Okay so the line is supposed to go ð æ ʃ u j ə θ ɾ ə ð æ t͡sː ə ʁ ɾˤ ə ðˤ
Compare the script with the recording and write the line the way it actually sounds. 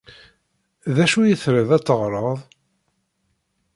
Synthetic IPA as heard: ð æ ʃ u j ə θ ɾ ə ð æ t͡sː ə ʁ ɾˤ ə ðˤ